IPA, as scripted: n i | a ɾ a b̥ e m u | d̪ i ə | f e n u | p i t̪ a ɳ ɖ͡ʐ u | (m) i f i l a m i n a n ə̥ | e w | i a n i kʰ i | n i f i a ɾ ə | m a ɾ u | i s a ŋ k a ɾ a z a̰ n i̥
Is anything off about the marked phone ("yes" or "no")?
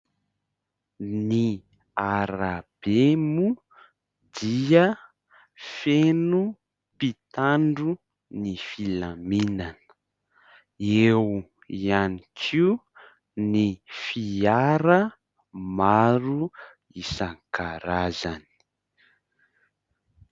yes